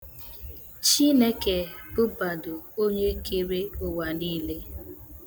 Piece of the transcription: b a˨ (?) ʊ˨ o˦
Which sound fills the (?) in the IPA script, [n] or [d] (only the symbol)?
d